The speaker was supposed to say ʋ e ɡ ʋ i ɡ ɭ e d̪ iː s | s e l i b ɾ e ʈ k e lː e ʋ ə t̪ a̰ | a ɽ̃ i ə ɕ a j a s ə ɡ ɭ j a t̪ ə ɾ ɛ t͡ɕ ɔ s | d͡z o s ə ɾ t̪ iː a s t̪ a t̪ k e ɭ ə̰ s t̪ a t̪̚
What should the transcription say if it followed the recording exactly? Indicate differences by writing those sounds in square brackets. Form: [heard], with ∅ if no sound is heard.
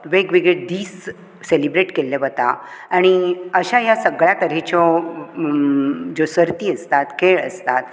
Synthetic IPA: ʋ e ɡ ʋ i ɡ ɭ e d̪ iː s | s e l i b ɾ e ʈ k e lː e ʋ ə t̪ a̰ | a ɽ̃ i ə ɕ a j a s ə ɡ ɭ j a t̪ ə ɾ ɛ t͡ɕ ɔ [∅] | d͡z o s ə ɾ t̪ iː [ə] s t̪ a t̪ k e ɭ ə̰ s t̪ a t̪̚